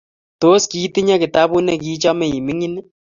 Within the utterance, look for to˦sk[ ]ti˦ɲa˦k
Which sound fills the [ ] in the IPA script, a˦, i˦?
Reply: i˦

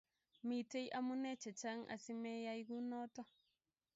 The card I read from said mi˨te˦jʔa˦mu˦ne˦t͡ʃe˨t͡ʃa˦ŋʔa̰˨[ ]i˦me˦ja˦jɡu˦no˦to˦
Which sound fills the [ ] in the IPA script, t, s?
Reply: s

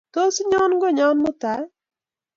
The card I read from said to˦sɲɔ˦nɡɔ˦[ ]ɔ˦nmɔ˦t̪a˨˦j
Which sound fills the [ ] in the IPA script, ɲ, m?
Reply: ɲ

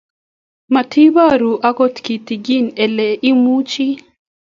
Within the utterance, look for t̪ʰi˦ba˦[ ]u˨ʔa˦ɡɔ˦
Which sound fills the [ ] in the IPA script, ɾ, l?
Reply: ɾ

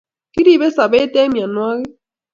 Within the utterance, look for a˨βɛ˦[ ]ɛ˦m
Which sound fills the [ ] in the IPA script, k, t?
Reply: t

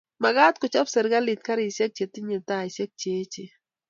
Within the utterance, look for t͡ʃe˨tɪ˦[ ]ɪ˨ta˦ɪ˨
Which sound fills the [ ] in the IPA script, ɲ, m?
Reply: ɲ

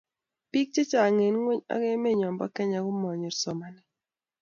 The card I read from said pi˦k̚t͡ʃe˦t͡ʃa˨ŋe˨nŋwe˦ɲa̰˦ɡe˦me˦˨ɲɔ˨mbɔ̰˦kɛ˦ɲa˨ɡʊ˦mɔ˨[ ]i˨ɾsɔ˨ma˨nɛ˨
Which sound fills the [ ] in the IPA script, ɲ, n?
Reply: ɲ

